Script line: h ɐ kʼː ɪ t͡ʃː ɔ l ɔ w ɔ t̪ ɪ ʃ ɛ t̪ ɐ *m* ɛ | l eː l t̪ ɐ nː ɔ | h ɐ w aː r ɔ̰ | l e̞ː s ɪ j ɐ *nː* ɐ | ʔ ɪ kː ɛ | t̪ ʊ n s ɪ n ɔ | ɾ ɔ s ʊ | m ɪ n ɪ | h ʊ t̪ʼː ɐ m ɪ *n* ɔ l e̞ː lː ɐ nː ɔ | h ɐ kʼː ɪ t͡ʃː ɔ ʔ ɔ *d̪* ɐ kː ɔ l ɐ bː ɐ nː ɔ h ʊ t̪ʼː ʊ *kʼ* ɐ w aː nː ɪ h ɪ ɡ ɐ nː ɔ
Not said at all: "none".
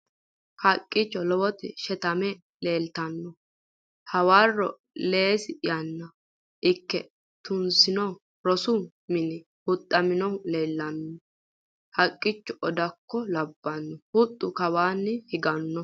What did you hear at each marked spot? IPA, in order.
m, nː, n, d̪, k

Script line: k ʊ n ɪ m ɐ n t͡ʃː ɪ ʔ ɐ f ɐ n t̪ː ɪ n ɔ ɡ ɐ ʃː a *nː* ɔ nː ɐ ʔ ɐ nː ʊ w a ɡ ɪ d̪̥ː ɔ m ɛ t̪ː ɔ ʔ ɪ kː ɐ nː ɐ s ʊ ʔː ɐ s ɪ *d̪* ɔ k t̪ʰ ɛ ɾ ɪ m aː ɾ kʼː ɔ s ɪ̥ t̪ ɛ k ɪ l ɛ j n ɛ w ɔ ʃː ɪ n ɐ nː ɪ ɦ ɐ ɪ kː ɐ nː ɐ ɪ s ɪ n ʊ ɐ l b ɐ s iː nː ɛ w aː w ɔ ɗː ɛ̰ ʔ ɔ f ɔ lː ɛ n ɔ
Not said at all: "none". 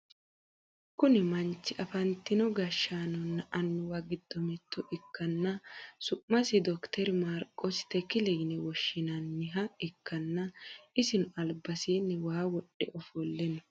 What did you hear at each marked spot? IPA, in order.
n, d̪

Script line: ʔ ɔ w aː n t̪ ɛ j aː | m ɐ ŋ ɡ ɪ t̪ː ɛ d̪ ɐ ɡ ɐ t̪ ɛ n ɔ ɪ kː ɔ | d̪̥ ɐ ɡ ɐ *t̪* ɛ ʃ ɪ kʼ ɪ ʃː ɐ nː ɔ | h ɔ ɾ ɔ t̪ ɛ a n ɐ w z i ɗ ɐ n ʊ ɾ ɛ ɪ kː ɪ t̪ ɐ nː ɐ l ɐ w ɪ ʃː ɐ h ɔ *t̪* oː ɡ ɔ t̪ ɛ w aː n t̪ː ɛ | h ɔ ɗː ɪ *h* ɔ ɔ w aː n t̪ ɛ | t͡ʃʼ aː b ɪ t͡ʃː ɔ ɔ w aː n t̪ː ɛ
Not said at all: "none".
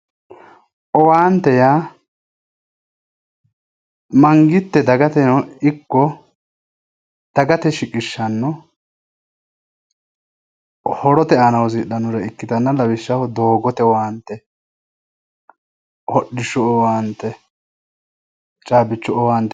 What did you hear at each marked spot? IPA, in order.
t̪, d̪, ʃ

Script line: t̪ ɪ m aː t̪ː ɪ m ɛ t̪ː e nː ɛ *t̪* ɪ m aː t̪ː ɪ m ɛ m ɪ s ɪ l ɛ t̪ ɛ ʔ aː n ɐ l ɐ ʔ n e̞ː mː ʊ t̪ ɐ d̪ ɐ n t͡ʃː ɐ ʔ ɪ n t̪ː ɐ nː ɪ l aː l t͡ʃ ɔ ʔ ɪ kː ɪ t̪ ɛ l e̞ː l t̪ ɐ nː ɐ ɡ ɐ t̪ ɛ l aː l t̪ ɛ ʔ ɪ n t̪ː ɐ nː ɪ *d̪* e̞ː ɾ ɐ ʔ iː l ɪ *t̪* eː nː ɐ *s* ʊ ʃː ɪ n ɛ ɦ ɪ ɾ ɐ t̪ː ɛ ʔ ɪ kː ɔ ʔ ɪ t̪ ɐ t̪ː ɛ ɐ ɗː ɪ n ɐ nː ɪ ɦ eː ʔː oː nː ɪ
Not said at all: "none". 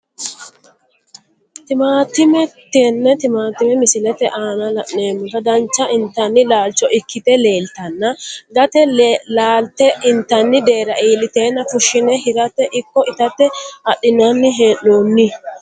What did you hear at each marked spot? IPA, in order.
t̪, d̪, t̪, f

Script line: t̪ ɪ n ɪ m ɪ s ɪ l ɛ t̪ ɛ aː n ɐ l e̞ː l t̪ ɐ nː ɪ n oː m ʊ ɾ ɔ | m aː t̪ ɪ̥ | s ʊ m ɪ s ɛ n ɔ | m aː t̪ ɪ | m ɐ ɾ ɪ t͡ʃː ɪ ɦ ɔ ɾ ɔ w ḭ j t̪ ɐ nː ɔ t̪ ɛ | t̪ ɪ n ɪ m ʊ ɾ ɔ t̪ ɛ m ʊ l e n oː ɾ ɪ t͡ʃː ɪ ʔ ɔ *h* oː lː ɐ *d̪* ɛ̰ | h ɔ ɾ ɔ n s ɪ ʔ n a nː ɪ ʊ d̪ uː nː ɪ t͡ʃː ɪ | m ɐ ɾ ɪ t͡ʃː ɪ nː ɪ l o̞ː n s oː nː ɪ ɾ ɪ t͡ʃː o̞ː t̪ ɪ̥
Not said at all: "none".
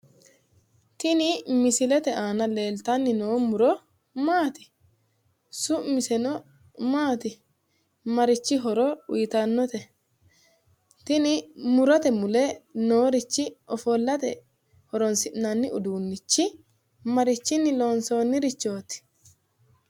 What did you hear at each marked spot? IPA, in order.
f, t̪

